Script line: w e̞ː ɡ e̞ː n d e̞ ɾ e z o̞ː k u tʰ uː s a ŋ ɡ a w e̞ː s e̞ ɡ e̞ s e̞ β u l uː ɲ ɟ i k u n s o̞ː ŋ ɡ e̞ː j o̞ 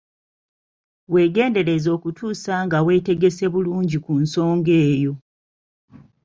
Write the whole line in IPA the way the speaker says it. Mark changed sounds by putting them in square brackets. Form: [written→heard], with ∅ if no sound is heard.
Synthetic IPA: w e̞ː ɡ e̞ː n d e̞ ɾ e z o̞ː k u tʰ uː s a ŋ ɡ a w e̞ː [s→t] e̞ ɡ e̞ s e̞ β u l uː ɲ ɟ i k u n s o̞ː ŋ ɡ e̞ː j o̞